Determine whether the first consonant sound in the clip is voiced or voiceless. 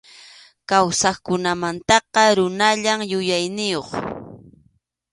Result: voiceless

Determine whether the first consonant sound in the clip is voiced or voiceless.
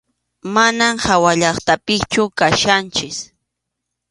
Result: voiced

